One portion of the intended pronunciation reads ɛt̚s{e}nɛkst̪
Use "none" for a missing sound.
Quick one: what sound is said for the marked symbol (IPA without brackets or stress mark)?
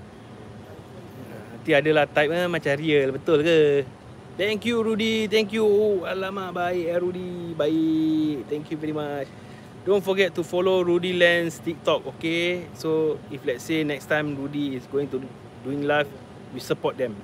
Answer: e